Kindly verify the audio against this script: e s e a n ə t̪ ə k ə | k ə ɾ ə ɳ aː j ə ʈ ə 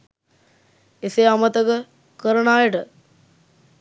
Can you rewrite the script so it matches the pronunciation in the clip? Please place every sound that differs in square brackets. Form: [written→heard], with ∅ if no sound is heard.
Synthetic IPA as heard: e s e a [n→m] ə t̪ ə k ə | k ə ɾ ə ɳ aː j ə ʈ ə